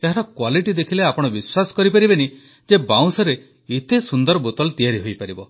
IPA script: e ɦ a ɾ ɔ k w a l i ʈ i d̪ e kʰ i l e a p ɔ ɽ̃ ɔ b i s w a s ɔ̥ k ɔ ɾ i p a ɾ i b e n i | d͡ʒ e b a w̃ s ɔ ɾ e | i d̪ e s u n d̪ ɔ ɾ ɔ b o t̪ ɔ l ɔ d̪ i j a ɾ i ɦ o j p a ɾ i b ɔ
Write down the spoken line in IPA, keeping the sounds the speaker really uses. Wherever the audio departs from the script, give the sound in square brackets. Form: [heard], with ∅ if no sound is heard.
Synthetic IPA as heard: e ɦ a ɾ ɔ k w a l i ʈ i d̪ e kʰ i l e a p ɔ ɽ̃ ɔ b i s w a s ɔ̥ k ɔ ɾ i p a ɾ i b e n i | d͡ʒ e b a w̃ s ɔ ɾ e | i [t̪] e s u n d̪ ɔ ɾ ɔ b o t̪ ɔ l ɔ [t̪] i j a ɾ i ɦ o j p a ɾ i b ɔ